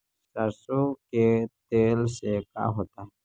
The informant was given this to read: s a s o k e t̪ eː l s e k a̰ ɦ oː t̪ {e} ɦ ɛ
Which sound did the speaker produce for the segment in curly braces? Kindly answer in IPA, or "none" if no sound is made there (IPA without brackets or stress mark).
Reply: a